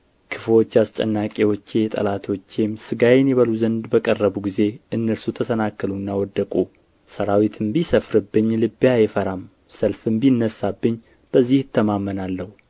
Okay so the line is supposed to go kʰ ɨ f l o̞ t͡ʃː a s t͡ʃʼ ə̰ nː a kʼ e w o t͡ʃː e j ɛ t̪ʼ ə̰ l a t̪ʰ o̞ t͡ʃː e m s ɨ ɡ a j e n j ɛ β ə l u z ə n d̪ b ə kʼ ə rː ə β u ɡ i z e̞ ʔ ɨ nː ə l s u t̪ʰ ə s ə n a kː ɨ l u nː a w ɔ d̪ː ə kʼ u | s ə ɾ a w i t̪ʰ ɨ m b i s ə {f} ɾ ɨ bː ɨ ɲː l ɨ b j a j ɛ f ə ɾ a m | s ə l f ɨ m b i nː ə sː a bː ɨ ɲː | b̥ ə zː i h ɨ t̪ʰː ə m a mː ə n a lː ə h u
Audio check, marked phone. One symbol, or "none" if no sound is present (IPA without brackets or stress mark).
f